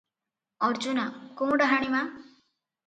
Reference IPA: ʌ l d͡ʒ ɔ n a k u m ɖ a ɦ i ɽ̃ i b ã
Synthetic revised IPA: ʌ ɾ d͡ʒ u n a k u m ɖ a ɦ a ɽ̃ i m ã